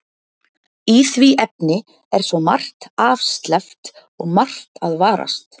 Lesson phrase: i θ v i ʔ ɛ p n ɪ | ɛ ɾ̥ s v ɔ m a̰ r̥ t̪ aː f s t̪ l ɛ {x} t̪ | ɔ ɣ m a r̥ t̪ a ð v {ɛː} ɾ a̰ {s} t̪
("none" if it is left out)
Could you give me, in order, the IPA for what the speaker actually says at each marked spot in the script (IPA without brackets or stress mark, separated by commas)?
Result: f, aː, s